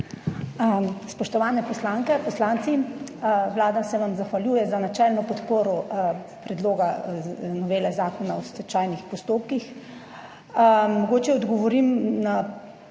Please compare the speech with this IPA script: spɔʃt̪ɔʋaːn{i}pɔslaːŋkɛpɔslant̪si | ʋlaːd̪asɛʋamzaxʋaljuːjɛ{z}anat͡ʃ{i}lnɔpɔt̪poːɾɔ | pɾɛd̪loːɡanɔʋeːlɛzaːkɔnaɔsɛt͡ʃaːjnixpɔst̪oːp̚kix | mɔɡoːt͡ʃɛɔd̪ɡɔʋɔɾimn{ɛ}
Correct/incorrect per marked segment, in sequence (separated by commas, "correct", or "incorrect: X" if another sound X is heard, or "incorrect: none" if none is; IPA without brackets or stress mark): incorrect: ɛ, correct, incorrect: ɛ, incorrect: a